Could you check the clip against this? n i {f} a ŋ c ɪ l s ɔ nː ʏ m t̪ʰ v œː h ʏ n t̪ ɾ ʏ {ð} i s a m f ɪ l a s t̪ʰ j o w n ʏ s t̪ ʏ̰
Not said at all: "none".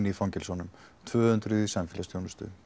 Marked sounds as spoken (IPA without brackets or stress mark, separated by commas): f, ð